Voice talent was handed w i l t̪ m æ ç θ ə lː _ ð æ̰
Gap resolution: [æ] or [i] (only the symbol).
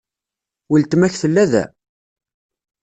æ